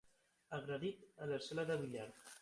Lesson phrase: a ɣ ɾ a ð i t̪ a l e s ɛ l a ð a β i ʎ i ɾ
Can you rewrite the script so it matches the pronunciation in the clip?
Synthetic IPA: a ɣ ɾ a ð i t̪ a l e s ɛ l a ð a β i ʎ a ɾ